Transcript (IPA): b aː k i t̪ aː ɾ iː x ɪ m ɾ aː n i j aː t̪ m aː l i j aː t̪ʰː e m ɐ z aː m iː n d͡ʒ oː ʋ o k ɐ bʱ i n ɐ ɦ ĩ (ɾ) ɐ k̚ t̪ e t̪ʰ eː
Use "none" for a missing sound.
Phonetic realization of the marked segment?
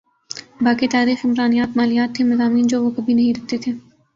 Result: ɾ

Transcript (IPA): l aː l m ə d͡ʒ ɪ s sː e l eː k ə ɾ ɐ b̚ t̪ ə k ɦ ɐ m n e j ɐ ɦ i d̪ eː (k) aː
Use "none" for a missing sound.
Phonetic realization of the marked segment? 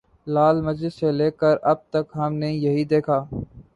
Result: kʰ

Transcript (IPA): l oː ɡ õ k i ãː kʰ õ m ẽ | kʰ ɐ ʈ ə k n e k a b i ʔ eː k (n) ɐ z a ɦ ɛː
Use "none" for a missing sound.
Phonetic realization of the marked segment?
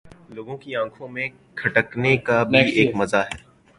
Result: m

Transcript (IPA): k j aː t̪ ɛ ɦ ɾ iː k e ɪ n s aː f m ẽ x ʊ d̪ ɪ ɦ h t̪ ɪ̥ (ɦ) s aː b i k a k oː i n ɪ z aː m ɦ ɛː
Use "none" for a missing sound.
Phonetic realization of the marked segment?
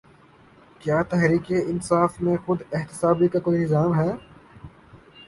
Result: none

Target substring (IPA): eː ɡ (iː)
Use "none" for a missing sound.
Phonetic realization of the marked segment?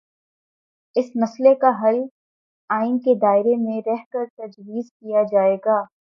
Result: aː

